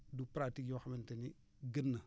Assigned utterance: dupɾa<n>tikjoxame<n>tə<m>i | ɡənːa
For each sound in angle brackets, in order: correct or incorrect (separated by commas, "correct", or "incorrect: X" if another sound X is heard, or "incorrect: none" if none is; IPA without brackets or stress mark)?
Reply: incorrect: none, correct, incorrect: n